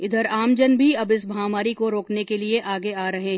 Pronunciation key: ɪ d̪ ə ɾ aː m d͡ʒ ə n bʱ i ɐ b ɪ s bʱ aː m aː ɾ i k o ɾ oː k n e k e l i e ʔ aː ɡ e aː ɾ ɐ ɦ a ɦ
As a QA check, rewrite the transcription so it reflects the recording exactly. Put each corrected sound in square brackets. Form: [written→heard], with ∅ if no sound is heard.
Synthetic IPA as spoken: ɪ d̪ ə ɾ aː m d͡ʒ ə n bʱ i ɐ b ɪ s bʱ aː m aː ɾ i k o ɾ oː k n e k e l i e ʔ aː ɡ e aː ɾ ɐ ɦ [a→e] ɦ